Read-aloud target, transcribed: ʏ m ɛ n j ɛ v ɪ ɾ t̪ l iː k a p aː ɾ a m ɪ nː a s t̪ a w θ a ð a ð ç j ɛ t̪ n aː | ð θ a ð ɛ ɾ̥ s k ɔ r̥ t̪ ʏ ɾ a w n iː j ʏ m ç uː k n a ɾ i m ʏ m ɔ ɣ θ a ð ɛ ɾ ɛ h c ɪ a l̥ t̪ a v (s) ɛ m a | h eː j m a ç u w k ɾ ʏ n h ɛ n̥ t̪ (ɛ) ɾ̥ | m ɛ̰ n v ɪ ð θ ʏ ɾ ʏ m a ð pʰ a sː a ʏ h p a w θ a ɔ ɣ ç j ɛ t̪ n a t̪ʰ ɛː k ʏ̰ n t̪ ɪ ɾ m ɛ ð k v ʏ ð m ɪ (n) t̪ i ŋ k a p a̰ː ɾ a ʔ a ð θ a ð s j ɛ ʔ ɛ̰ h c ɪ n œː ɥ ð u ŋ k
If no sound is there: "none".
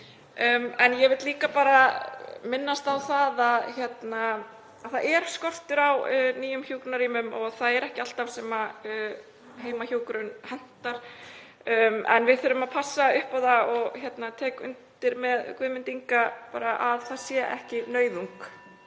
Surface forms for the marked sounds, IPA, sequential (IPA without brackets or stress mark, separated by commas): s, a, n